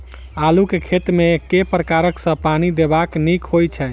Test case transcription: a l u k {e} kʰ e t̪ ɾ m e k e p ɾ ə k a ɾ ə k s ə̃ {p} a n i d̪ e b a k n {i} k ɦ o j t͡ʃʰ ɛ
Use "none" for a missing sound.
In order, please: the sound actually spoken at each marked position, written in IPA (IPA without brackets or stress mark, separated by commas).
e, p, i